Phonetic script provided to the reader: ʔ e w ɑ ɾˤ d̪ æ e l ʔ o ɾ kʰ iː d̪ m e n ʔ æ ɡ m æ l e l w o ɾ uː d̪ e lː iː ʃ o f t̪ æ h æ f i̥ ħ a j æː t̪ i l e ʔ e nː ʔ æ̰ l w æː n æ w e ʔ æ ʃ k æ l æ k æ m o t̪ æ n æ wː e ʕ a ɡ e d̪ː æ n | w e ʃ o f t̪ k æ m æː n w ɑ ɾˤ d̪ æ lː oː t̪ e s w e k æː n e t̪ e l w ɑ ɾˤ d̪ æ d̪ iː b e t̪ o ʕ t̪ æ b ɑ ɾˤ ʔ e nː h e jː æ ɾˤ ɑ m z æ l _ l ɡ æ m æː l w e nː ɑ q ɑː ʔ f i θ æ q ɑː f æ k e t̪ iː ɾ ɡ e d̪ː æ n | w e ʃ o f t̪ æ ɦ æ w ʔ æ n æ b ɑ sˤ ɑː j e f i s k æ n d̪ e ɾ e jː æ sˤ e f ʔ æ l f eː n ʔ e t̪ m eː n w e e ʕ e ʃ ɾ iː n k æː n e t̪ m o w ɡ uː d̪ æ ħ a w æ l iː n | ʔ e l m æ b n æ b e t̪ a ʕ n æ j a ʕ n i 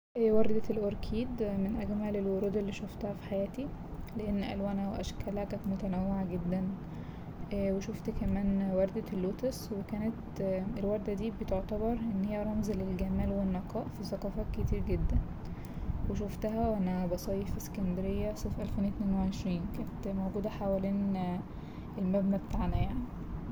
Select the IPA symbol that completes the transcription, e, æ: e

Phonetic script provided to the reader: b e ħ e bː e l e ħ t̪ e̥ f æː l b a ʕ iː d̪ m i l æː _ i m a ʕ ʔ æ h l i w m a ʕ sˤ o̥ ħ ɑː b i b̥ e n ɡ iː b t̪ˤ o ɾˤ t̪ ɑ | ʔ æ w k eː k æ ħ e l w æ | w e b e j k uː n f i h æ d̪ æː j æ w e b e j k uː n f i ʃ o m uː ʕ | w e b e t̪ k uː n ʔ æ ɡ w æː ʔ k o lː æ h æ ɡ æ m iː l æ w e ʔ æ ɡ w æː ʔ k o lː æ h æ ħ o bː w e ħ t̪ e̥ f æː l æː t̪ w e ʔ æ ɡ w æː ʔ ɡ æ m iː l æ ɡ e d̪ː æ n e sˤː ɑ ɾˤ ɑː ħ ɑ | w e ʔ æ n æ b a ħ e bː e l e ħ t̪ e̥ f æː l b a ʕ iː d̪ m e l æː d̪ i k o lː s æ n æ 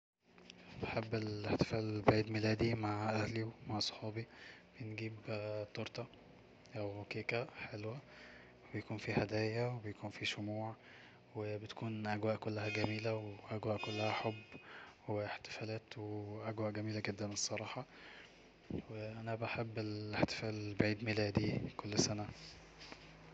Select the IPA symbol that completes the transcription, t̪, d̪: d̪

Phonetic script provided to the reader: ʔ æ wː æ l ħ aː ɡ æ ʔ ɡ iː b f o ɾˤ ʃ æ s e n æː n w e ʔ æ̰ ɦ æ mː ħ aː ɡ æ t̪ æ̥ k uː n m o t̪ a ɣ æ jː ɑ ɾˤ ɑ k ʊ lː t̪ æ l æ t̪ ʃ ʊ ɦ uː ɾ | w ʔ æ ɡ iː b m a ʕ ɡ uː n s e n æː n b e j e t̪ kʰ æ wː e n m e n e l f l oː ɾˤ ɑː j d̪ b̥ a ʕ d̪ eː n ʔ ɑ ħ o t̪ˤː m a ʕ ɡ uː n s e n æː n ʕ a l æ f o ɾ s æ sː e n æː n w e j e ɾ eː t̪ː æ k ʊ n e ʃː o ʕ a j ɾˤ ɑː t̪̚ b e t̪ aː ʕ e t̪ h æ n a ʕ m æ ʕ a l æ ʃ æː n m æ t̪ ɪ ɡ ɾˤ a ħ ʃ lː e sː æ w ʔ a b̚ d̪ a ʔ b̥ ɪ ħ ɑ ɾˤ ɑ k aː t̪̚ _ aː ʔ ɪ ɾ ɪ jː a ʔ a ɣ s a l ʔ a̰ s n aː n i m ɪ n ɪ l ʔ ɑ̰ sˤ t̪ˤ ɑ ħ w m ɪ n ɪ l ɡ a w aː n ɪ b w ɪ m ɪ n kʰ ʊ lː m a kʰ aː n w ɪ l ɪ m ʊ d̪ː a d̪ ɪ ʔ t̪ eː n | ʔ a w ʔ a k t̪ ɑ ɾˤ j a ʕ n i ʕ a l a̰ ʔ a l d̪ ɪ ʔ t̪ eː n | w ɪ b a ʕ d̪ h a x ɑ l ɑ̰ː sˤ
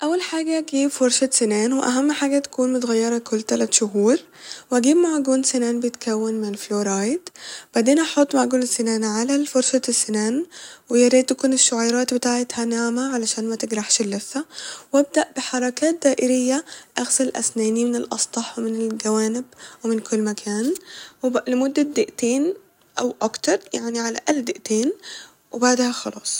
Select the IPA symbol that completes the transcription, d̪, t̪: d̪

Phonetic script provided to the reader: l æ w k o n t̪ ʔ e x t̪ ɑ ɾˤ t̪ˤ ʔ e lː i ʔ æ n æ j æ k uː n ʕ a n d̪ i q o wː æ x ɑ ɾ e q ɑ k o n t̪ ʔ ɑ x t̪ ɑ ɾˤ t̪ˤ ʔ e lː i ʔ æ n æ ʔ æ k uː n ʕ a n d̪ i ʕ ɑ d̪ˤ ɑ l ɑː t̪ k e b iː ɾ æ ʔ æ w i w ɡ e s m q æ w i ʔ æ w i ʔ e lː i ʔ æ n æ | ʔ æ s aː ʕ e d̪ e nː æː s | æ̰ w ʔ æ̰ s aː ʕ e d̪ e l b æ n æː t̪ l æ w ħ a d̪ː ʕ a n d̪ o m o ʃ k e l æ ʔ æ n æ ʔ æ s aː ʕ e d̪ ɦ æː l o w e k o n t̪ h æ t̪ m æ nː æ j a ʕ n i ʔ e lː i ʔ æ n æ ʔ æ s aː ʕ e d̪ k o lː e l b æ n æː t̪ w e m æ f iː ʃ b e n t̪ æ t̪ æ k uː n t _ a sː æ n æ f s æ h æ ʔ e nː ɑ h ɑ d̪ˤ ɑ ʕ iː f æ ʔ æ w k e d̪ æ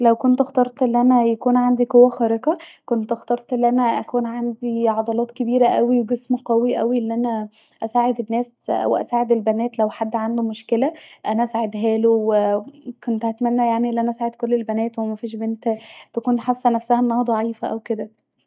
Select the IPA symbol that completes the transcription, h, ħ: ħ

